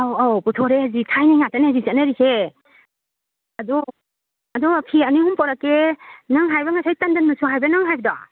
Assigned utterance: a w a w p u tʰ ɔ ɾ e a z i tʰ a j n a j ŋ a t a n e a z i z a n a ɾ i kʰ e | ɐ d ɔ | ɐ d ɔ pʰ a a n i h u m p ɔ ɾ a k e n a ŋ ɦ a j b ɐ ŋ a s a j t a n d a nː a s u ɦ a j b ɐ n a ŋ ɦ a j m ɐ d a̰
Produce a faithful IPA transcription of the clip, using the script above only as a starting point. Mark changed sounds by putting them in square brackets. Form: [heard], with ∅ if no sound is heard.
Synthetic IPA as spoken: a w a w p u tʰ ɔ ɾ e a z i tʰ a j n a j ŋ a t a n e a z i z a n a ɾ i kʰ e | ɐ d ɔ | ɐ d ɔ pʰ [i] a n i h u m p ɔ ɾ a k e n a ŋ ɦ a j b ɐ ŋ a s a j t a n d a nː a s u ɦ a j b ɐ n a ŋ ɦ a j [b] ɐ d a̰